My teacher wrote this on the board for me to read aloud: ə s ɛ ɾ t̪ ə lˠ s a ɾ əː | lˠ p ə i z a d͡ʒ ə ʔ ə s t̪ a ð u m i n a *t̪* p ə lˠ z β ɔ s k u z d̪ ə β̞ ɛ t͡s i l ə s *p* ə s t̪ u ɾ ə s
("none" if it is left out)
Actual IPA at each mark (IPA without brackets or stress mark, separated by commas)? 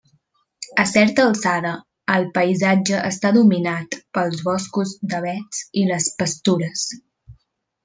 t̪, p